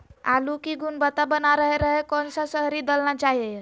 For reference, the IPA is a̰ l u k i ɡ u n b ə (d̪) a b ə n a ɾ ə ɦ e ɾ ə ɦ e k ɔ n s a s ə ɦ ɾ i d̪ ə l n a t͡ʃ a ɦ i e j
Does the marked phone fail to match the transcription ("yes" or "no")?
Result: yes